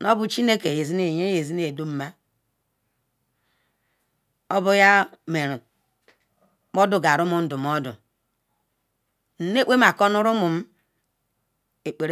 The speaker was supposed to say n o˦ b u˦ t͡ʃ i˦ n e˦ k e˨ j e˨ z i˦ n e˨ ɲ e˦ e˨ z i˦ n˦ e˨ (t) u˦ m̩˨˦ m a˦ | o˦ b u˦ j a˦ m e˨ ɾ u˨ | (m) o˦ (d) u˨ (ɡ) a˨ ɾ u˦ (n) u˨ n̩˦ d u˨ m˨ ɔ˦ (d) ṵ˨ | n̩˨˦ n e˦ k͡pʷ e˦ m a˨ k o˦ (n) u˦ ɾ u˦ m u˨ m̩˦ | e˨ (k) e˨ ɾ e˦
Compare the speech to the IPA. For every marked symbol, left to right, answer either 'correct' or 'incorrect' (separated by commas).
incorrect, correct, correct, correct, incorrect, correct, correct, incorrect